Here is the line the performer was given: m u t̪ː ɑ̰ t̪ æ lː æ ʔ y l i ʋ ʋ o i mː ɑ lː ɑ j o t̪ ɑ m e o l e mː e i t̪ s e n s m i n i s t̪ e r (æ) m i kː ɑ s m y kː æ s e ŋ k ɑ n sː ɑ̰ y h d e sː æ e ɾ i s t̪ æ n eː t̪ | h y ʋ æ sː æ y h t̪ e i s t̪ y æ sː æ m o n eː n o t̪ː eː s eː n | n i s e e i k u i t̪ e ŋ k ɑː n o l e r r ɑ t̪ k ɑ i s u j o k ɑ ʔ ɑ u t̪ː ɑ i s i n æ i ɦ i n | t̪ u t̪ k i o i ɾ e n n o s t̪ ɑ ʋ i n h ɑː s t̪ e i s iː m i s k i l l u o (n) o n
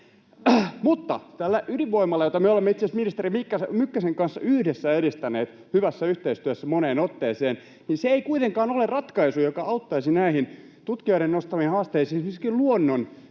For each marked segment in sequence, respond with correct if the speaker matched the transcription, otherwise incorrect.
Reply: incorrect: i, incorrect: nː

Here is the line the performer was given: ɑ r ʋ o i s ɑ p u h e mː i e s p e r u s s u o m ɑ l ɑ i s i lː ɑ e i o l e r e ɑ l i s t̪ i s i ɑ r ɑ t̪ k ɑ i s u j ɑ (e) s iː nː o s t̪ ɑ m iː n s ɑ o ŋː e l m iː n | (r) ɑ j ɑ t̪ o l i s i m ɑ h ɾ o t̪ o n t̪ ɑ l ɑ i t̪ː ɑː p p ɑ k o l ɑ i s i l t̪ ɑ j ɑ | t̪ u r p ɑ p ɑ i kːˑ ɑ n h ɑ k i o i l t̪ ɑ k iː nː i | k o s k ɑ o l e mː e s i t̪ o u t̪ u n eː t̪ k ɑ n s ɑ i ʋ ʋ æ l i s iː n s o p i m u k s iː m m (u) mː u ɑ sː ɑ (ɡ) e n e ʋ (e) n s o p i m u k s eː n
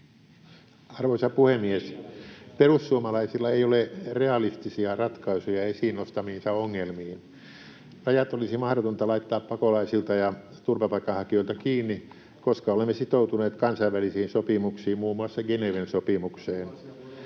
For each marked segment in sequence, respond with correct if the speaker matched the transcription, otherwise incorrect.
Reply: correct, correct, incorrect: uː, correct, correct

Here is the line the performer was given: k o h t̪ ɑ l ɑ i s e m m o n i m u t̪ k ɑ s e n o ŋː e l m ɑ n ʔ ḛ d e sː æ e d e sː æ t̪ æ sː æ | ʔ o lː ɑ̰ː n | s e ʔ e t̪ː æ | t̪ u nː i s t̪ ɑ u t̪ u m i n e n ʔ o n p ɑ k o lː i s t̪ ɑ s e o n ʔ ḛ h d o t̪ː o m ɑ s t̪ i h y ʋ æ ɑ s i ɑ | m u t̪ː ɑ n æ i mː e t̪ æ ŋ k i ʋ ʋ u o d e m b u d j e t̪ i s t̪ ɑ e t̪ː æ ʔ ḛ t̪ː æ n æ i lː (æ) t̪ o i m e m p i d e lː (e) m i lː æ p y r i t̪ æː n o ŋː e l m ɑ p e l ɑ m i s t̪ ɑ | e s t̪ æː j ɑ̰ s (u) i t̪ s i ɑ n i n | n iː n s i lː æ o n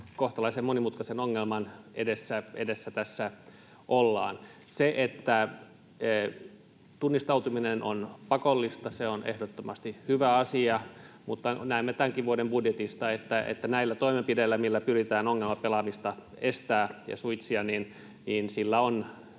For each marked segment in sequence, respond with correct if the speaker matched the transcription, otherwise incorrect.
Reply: correct, incorrect: æ, correct

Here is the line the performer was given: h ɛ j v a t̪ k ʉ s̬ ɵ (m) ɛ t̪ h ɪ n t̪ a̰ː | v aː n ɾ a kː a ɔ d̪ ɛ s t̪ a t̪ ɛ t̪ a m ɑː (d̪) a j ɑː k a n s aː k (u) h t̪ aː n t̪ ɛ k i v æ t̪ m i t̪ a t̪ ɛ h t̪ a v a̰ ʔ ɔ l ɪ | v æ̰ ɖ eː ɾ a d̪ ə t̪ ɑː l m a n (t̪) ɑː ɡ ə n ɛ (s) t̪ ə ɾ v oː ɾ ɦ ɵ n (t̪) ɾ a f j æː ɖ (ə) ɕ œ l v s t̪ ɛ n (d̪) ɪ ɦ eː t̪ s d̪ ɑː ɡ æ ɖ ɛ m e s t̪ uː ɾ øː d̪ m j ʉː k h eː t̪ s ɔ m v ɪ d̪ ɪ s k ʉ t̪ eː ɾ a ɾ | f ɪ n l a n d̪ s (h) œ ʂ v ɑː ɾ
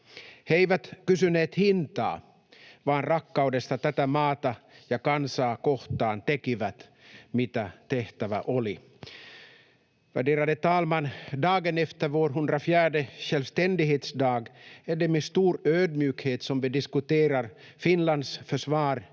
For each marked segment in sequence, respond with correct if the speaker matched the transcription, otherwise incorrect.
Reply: incorrect: n, incorrect: t̪, incorrect: ɔ, incorrect: d̪, incorrect: f, incorrect: d̪, correct, correct, incorrect: f

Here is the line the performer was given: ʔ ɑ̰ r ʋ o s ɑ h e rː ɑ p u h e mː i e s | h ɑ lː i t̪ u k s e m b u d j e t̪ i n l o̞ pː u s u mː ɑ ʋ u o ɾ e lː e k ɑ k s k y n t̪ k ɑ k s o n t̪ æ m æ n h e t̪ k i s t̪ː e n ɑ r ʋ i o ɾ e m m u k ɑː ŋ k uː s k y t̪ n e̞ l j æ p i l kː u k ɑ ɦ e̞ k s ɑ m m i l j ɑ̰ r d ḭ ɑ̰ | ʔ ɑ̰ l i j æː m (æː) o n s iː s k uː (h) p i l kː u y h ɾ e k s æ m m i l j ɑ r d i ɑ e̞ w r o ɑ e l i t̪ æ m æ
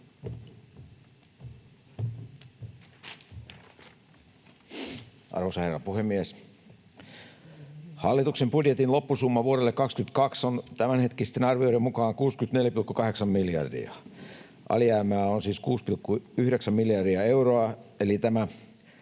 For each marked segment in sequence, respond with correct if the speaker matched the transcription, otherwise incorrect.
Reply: correct, incorrect: s

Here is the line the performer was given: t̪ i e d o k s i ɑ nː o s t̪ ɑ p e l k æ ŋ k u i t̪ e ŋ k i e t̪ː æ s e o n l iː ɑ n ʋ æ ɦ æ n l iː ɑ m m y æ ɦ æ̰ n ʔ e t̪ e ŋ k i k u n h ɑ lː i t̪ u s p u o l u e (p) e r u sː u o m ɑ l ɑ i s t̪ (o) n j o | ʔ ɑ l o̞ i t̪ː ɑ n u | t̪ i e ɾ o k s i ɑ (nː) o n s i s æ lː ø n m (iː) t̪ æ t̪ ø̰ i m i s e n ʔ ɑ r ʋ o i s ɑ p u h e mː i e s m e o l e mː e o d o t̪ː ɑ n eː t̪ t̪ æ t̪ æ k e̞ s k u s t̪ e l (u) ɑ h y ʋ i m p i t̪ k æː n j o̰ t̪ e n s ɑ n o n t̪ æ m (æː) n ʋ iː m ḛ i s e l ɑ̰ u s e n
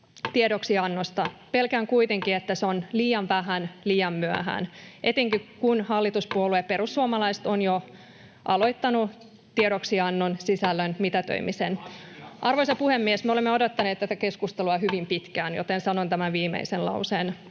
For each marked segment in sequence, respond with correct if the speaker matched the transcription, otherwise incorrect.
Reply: correct, correct, correct, incorrect: i, correct, incorrect: æ

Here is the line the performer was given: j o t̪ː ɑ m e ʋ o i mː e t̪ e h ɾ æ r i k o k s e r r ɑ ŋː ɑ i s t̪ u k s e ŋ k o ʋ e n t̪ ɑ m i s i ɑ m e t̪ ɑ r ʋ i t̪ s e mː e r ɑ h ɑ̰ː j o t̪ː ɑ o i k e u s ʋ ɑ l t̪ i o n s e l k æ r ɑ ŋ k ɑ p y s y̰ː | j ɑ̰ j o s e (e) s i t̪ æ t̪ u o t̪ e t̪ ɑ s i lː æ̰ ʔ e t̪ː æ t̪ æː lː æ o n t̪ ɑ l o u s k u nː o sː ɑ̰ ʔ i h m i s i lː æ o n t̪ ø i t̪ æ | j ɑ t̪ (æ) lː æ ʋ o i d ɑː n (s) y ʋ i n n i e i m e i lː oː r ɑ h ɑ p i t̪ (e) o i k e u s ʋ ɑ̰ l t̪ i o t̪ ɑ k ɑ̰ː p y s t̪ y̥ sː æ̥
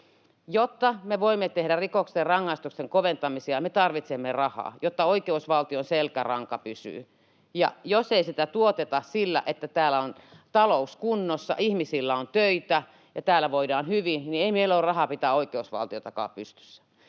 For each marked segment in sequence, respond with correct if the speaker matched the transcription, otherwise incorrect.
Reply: incorrect: i, incorrect: æː, incorrect: h, incorrect: æ

